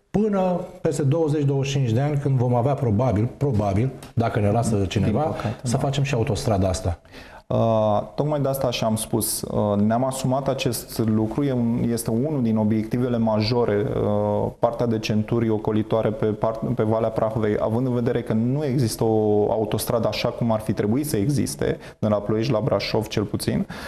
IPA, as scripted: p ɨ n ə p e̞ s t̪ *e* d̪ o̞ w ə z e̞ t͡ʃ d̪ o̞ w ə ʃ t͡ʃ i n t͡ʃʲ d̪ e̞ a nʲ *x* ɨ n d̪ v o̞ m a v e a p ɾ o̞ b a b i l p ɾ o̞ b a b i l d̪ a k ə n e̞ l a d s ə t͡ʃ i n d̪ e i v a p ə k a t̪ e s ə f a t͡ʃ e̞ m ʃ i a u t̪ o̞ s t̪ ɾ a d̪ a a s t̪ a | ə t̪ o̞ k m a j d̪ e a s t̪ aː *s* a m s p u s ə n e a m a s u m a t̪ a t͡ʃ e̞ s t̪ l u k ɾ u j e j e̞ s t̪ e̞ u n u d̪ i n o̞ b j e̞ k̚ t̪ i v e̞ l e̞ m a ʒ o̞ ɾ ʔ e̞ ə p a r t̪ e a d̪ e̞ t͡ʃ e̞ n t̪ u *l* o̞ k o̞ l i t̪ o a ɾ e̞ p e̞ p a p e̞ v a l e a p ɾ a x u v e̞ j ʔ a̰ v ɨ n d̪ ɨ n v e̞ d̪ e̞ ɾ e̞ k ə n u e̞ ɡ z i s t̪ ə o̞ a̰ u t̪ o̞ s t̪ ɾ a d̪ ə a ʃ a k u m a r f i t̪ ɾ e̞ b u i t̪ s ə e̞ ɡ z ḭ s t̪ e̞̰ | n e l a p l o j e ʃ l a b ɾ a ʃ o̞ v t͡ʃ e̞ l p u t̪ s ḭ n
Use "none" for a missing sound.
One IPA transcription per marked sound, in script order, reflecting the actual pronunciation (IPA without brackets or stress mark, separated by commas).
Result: e, k, ʃ, ɾ